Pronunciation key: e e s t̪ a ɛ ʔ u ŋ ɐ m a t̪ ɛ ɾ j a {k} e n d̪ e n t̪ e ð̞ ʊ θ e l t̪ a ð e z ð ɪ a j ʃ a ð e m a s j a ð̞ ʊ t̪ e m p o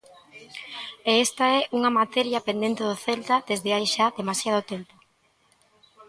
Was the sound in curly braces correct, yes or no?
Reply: no